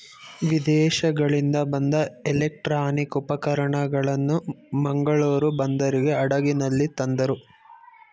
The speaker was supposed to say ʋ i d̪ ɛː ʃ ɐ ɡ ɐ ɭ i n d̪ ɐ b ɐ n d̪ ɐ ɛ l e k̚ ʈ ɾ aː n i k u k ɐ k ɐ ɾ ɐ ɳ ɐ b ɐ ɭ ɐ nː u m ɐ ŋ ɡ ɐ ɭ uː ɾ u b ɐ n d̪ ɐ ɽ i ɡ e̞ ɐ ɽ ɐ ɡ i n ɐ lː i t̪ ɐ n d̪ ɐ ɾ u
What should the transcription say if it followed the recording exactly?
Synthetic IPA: ʋ i d̪ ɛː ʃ ɐ ɡ ɐ ɭ i n d̪ ɐ b ɐ n d̪ ɐ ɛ l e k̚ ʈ ɾ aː n i k u p ɐ k ɐ ɾ ɐ ɳ ɐ ɡ ɐ ɭ ɐ nː u m ɐ ŋ ɡ ɐ ɭ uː ɾ u b ɐ n d̪ ɐ ɾ i ɡ e̞ ɐ ɽ ɐ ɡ i n ɐ lː i t̪ ɐ n d̪ ɐ ɾ u

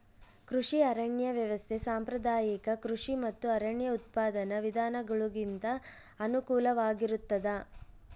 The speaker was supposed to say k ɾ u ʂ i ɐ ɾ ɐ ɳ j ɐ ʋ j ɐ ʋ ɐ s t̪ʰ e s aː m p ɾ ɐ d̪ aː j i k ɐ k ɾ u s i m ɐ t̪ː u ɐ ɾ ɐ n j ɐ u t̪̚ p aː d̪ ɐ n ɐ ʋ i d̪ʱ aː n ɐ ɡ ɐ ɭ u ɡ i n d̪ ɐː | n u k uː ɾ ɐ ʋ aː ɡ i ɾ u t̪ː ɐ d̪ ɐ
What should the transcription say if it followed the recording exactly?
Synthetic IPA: k ɾ u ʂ i ɐ ɾ ɐ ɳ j ɐ ʋ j ɐ ʋ ɐ s t̪ʰ e s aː m p ɾ ɐ d̪ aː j i k ɐ k ɾ u ʂ i m ɐ t̪ː u ɐ ɾ ɐ ɳ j ɐ u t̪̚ p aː d̪ ɐ n ɐ ʋ i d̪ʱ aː n ɐ ɡ ɐ ɭ u ɡ i n t̪ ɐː | n u k uː l ɐ ʋ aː ɡ i ɾ u t̪ː ɐ d̪ ɐ

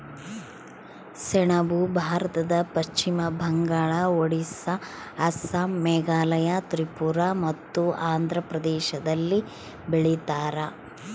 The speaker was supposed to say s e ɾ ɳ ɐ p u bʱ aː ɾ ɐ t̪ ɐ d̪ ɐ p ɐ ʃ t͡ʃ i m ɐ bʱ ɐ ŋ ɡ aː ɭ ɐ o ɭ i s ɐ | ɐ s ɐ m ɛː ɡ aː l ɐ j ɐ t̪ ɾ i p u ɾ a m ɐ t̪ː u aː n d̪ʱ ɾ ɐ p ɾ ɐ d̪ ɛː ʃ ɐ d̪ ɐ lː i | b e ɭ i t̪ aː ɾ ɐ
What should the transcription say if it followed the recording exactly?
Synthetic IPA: s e ɳ ɐ b u bʱ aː ɾ ɐ t̪ ɐ d̪ ɐ p ɐ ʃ t͡ʃ i m ɐ bʱ ɐ ŋ ɡ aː ɭ ɐ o ɽ i s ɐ | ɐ s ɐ m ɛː ɡ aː l ɐ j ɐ t̪ ɾ i p u ɾ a m ɐ t̪ː u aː n d̪ʱ ɾ ɐ p ɾ ɐ d̪ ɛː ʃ ɐ d̪ ɐ lː i | b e ɭ i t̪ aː ɾ ɐ

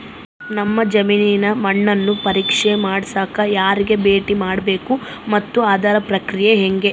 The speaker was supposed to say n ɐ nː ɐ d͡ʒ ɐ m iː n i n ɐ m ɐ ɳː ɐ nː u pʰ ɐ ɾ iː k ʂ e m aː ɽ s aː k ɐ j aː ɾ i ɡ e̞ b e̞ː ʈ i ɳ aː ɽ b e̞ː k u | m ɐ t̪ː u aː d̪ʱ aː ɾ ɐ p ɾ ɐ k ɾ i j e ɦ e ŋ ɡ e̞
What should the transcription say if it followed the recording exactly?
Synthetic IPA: n ɐ mː ɐ d͡ʒ ɐ m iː n i n ɐ m ɐ ɳː ɐ nː u p ɐ ɾ iː k ʂ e m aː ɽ s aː k ɐ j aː ɾ i ɡ e̞ b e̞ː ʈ i m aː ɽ b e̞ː k u | m ɐ t̪ː u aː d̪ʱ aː ɾ ɐ p ɾ ɐ k ɾ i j e ɦ e ŋ ɡ e̞

